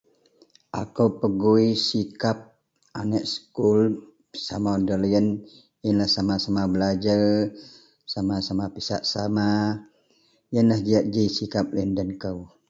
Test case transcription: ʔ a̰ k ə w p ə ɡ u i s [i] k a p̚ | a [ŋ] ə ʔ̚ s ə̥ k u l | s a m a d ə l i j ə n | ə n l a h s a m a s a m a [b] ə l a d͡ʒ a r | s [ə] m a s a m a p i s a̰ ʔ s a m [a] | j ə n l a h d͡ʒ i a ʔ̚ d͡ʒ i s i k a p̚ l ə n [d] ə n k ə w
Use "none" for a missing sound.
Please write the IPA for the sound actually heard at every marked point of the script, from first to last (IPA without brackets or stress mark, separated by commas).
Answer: i, n, b, a, a, d